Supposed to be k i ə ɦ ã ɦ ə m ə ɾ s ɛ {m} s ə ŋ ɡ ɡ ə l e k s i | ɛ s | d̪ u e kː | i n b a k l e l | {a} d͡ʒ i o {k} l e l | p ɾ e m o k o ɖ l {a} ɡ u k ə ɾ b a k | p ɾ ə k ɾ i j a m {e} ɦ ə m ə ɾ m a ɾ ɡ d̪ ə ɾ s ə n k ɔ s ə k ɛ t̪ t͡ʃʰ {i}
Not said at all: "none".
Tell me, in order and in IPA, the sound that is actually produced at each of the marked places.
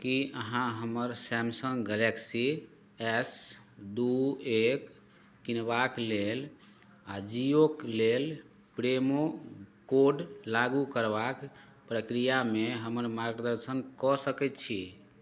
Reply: m, a, k, a, e, i

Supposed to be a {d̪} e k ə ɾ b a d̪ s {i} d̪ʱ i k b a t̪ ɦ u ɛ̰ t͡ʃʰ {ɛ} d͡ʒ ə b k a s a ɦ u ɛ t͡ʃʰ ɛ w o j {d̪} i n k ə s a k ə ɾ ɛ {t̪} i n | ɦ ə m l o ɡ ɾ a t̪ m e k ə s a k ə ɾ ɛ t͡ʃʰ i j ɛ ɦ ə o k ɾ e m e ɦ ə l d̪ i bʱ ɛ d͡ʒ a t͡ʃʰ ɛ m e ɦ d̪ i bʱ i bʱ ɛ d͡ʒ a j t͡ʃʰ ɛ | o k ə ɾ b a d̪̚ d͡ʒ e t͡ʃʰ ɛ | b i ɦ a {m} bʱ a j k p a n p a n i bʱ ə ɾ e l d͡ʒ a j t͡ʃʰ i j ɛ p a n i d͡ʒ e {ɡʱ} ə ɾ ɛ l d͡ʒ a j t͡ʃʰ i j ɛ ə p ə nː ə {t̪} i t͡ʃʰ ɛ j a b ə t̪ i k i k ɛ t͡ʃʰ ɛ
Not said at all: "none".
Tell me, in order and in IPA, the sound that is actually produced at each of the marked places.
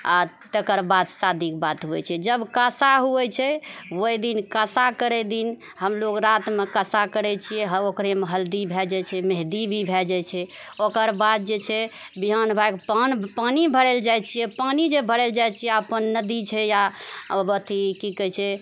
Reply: t̪, a, ɛ, d̪, d̪, n, bʱ, d̪

